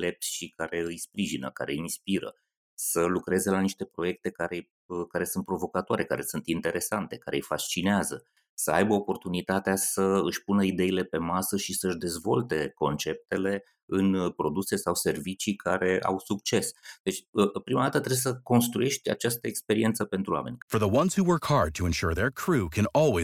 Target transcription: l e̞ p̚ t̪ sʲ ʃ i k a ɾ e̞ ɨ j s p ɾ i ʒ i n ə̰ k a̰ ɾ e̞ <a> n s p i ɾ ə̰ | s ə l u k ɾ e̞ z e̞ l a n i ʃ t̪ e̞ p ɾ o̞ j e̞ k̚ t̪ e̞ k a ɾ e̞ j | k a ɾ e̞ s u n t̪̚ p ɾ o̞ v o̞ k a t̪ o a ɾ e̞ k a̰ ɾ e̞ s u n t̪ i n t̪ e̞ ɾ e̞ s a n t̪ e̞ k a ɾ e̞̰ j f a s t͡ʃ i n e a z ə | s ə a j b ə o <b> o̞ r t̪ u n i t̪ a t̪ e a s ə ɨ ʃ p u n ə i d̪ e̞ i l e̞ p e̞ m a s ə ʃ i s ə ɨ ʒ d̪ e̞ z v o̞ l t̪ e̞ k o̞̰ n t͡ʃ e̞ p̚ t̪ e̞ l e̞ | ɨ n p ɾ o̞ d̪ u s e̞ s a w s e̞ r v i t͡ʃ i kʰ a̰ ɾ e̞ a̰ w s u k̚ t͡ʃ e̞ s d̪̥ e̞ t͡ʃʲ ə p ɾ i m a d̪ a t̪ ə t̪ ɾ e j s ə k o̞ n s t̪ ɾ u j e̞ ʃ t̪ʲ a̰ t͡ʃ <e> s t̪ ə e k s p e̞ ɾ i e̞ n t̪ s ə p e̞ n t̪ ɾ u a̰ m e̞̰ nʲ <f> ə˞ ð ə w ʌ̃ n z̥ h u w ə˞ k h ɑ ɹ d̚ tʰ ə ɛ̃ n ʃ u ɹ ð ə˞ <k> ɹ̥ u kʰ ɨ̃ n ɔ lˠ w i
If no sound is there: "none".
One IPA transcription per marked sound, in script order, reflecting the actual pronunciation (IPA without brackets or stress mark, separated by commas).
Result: i, p, a, f, kʰ